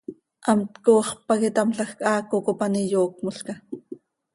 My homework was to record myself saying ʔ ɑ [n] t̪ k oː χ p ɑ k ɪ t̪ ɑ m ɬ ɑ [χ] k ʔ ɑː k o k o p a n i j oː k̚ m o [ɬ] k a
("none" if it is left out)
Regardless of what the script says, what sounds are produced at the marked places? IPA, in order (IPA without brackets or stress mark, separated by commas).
m, x, ɬ